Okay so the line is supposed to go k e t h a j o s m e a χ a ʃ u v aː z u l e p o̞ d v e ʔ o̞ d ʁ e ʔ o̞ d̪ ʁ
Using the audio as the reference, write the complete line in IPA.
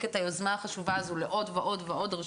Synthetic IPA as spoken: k e t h a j o z m a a χ a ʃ u v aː z u l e ʔ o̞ d v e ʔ o̞ d v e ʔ o̞ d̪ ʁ